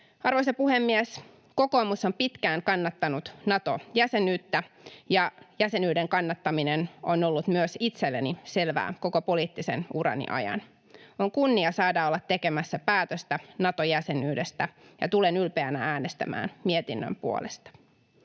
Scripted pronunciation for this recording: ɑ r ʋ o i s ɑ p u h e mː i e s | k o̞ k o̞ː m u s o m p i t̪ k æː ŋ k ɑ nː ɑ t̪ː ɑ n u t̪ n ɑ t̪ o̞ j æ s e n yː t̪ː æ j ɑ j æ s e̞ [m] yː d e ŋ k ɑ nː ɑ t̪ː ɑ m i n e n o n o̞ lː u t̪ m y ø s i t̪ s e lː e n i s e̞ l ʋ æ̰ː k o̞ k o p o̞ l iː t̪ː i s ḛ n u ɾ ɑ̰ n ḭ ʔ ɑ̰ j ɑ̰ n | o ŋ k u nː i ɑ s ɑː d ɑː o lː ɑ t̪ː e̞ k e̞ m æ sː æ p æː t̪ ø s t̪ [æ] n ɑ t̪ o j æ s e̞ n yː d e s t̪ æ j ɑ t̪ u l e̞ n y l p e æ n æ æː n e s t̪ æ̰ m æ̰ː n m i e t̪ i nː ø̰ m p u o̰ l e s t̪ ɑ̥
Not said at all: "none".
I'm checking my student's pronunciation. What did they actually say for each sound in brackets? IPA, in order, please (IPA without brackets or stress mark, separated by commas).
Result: n, æ